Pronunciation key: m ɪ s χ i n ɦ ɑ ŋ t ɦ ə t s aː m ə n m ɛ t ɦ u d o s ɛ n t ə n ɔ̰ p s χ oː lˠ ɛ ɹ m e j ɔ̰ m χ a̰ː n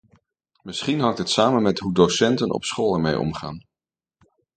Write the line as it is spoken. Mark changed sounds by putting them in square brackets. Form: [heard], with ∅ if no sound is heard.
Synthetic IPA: m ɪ s χ i n ɦ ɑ ŋ t ɦ ə t s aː m ə n m ɛ t ɦ u d o s ɛ n t ə n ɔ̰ p s χ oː lˠ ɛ ɹ m e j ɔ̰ m χ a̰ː n